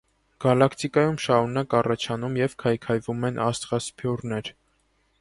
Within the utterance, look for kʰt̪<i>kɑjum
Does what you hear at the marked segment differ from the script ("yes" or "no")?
no